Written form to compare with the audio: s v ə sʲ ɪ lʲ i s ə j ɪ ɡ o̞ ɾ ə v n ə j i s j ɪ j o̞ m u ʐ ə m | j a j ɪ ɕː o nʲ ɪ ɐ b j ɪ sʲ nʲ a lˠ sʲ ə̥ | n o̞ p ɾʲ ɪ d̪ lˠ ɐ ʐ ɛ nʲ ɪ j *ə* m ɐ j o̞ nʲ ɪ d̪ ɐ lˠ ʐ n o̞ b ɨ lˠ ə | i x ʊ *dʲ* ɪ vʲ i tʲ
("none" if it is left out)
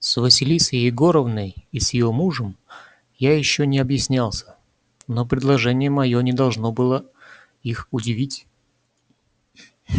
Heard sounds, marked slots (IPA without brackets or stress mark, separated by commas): ə, dʲ